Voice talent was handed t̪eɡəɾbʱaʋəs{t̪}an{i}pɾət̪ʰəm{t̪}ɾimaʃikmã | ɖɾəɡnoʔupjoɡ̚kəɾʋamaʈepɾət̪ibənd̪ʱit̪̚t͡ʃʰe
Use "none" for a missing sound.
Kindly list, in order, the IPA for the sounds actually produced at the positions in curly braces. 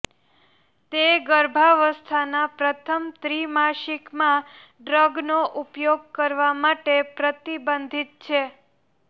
t̪ʰ, a, t̪

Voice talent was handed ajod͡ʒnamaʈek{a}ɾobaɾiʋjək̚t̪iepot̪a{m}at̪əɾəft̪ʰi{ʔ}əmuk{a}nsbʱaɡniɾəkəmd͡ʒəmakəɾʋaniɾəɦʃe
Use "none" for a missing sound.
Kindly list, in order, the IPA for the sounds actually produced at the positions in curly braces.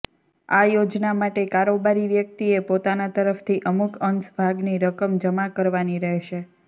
a, n, ʔ, ə

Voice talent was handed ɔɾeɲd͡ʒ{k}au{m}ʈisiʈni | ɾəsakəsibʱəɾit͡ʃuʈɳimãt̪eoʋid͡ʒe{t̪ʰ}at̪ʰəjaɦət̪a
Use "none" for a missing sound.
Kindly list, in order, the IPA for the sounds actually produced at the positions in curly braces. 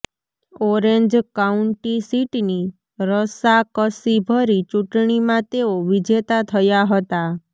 k, ɳ, t̪

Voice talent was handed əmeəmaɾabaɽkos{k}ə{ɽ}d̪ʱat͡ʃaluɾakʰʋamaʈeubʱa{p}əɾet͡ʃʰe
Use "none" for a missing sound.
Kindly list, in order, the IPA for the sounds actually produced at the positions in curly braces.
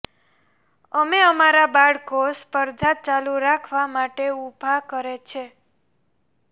p, ɾ, k

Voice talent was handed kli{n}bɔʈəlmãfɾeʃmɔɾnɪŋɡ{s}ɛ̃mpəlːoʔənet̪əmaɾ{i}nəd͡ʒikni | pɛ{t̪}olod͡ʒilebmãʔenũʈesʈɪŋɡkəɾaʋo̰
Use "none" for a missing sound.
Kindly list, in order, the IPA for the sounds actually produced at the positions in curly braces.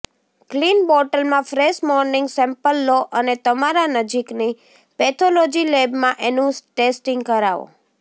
n, s, a, t̪ʰ

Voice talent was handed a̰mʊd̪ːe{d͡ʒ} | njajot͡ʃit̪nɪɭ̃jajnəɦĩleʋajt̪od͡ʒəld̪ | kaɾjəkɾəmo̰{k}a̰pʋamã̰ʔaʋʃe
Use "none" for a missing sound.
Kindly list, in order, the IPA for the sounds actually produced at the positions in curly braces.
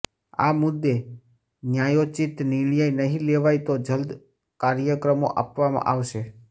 none, ʔ

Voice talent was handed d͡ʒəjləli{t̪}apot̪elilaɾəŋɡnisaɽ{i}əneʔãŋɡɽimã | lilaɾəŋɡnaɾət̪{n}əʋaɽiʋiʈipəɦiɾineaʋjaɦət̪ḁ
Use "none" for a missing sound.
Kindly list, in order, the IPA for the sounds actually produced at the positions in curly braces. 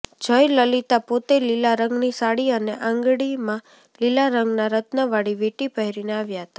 t̪, i, n

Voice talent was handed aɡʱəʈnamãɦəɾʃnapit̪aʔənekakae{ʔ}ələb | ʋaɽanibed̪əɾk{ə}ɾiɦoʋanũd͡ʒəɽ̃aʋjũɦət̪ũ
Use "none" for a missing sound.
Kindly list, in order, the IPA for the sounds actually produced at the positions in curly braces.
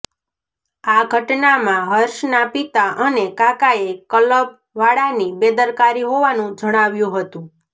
k, a

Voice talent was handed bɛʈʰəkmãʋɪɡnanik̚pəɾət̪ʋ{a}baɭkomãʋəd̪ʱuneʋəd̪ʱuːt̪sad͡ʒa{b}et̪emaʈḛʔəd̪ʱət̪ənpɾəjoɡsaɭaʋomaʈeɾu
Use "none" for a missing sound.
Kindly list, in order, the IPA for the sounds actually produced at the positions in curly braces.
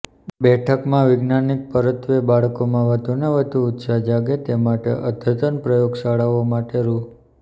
e, ɡ

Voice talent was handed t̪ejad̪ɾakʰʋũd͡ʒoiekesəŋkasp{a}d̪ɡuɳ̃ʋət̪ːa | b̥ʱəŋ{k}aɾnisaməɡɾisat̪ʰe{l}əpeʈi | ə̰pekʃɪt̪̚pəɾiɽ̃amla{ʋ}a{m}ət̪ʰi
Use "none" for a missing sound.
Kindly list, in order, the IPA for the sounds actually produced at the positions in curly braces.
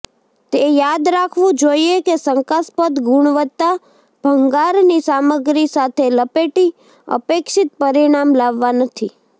ə, ɡ, l, ʋː, n

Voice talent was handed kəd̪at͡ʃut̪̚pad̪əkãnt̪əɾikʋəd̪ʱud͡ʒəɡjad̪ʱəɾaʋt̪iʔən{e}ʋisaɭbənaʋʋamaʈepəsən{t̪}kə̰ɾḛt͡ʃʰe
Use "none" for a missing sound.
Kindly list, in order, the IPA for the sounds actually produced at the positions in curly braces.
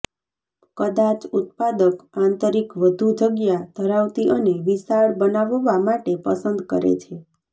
e, d̪

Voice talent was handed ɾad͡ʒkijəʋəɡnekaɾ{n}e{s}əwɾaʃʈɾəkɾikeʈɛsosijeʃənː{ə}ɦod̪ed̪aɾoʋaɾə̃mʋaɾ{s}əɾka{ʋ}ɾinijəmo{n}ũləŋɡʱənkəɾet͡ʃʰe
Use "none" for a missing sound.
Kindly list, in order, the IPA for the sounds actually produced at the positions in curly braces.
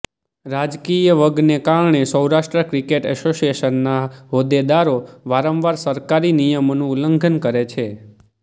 ɳ, s, a, s, none, n

